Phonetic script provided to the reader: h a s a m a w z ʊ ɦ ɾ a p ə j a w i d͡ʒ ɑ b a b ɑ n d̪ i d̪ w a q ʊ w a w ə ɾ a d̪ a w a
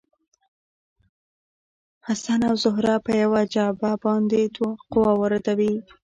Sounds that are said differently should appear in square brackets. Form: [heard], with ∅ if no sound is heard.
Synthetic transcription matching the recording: h a s a [n] a w z ʊ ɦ ɾ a p ə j a w [a] d͡ʒ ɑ b a b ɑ n d̪ [e] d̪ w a q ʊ w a w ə ɾ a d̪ a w [i]